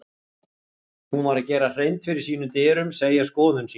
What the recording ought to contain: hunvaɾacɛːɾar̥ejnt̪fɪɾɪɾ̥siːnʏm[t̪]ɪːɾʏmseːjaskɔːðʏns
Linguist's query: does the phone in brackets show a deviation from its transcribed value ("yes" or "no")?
no